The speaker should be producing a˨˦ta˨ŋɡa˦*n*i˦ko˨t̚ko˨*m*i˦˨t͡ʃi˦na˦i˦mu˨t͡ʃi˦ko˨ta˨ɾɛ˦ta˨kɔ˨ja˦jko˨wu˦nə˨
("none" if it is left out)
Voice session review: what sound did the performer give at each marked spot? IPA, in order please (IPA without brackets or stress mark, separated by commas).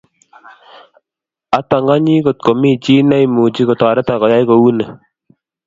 ɲ, m